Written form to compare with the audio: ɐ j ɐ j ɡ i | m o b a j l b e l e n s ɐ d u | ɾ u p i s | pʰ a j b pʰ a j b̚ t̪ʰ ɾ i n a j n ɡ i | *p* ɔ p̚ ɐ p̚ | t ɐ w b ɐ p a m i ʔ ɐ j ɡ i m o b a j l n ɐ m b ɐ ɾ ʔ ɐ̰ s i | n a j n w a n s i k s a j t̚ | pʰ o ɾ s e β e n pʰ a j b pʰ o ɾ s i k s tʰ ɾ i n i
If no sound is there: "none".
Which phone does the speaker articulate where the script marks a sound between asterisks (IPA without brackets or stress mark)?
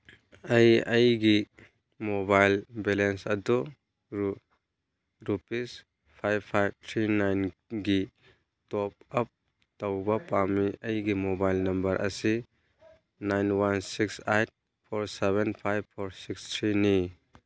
t